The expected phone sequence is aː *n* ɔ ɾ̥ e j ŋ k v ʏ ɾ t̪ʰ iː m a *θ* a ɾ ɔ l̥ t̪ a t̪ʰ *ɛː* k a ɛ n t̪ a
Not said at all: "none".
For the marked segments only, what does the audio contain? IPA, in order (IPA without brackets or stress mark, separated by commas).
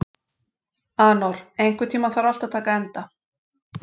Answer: n, θ, aː